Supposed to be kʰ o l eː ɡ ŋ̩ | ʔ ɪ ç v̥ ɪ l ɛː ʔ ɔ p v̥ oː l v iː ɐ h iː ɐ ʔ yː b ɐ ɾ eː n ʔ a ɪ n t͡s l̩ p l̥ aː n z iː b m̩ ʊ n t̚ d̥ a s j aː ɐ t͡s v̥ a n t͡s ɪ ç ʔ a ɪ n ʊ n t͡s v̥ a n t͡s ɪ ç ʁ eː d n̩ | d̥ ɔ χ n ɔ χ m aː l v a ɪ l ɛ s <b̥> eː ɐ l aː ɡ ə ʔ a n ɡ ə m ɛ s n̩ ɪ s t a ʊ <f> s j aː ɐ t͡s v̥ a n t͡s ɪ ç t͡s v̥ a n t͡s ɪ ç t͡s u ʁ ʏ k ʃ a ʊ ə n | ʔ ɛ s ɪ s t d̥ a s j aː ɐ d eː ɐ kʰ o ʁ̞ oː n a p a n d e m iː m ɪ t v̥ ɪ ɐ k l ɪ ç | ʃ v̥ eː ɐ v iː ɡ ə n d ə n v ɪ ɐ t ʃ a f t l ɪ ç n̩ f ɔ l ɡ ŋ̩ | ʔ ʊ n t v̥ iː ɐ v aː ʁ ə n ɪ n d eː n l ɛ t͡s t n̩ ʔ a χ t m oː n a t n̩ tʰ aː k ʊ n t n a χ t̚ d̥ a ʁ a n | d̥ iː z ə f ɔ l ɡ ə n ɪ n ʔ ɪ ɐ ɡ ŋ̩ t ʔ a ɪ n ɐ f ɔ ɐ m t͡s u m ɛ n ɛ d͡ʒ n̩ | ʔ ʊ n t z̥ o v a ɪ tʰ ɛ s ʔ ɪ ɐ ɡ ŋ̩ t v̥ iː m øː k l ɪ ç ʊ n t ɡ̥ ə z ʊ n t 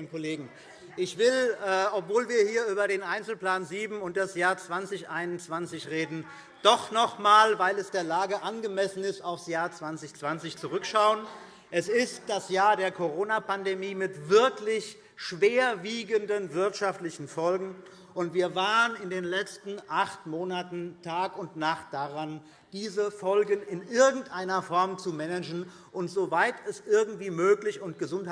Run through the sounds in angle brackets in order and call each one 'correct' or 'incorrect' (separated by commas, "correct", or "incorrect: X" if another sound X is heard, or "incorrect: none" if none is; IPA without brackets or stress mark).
incorrect: d̥, correct